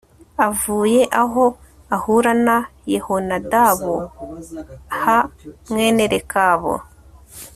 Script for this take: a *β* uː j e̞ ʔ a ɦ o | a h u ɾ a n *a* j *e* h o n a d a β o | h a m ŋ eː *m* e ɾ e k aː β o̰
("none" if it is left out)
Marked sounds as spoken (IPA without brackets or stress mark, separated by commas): v, a, e, n